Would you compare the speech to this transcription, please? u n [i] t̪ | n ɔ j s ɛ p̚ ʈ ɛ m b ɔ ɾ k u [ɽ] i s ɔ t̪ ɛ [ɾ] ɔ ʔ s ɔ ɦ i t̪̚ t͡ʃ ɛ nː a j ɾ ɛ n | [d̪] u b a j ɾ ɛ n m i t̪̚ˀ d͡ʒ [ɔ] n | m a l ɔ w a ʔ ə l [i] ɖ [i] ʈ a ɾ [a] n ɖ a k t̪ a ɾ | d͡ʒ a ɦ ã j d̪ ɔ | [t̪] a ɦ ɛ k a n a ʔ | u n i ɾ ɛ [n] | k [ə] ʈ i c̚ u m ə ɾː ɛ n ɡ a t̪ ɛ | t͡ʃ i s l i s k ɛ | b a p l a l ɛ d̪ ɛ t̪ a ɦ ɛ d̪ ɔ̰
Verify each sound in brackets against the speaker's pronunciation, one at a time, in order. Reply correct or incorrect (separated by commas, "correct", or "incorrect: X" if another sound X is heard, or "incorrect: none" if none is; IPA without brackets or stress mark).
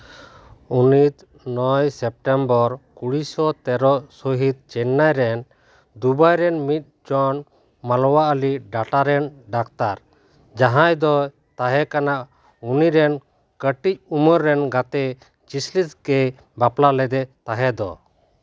correct, correct, correct, correct, correct, correct, incorrect: a, incorrect: ɛ, correct, correct, correct